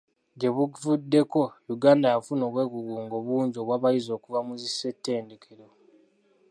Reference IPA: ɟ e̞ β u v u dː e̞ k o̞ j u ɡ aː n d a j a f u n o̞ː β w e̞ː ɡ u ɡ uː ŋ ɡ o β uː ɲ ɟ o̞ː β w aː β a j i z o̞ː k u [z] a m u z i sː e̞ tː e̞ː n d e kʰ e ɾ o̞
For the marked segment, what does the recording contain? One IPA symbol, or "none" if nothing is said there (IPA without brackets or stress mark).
v